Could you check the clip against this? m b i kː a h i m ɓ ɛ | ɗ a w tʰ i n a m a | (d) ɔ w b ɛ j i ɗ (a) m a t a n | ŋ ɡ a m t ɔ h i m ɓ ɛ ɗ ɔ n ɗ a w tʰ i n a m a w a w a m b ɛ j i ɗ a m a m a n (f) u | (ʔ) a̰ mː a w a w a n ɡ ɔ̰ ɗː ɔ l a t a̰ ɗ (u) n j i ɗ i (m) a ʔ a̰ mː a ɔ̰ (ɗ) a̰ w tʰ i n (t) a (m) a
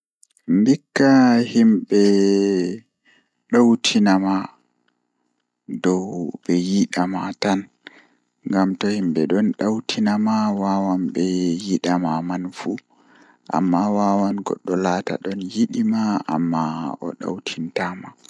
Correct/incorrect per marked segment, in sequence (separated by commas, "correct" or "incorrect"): correct, correct, correct, correct, incorrect, correct, correct, correct, correct